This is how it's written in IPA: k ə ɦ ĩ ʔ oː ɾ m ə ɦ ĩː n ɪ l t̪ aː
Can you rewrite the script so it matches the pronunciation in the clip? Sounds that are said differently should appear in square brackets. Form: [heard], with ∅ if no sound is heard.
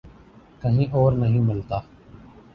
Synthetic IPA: k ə ɦ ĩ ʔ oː ɾ [n] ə ɦ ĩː [m] ɪ l t̪ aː